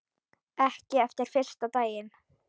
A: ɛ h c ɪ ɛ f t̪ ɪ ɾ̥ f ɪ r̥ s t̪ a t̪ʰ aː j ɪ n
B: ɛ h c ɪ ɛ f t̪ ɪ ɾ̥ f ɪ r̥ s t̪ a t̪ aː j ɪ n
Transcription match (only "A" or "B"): B